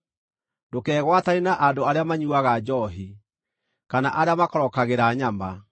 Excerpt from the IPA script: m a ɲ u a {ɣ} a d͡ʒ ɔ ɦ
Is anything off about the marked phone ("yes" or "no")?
no